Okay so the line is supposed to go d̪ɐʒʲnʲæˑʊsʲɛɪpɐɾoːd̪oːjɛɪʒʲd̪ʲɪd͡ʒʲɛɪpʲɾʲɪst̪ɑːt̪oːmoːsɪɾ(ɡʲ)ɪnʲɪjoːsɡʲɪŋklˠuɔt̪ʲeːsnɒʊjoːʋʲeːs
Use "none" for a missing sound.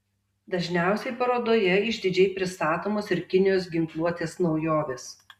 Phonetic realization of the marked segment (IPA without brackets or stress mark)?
kʲ